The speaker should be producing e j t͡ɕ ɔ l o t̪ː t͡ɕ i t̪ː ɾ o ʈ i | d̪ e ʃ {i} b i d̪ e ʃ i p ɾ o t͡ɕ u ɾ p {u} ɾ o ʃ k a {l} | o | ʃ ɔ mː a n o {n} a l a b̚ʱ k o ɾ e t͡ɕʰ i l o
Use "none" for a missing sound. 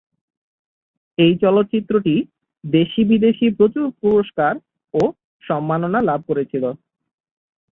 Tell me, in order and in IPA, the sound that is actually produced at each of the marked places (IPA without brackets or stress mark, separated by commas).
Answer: i, u, ɾ, n